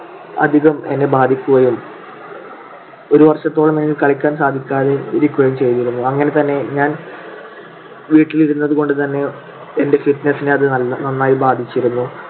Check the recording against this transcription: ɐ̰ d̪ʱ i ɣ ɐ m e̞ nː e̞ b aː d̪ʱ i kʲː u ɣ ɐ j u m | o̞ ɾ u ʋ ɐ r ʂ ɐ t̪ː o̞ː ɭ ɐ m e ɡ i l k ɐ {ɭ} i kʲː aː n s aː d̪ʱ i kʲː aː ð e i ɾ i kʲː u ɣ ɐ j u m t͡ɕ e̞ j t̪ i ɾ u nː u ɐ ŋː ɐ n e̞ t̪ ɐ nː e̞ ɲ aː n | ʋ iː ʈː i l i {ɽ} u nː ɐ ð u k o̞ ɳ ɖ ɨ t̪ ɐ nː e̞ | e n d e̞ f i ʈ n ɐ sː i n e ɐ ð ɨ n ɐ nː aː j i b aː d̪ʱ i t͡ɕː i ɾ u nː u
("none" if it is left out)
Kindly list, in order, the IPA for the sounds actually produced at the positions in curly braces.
ɭ, ɾ

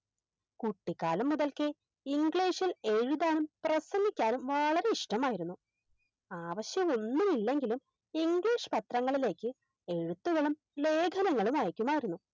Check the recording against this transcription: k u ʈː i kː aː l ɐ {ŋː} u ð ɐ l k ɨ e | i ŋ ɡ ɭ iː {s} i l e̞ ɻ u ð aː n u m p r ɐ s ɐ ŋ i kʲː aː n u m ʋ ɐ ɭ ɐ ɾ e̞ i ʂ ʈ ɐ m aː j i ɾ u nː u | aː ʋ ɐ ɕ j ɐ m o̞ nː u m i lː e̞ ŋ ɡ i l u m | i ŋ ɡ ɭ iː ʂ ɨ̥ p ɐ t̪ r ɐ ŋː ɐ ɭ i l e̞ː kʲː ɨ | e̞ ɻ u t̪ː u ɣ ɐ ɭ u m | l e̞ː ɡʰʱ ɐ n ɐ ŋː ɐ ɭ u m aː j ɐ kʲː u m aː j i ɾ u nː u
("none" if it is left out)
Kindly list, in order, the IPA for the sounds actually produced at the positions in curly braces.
mː, ʂ

